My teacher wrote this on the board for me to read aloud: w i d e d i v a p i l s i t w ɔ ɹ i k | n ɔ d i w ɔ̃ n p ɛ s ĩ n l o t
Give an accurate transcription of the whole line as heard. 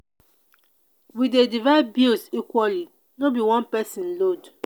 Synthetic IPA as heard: w i d e d i v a b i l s i k w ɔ l i | n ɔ b i w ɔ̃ n p ɛ s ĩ n l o d